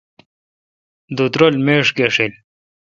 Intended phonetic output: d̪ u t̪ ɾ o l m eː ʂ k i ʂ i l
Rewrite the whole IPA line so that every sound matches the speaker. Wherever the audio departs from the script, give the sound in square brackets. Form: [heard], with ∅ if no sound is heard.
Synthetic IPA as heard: d̪ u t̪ ɾ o l m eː ʂ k [e] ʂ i l